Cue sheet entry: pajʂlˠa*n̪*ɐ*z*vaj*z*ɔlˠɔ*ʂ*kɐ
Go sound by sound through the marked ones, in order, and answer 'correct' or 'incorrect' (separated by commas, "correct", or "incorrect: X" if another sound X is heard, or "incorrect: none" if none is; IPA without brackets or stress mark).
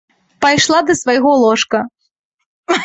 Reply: incorrect: d̪, incorrect: s, incorrect: ɣ, correct